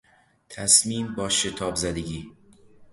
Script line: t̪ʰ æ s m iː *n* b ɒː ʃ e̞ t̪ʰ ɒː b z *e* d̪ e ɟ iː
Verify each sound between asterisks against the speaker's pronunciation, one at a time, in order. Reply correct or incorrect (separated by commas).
incorrect, incorrect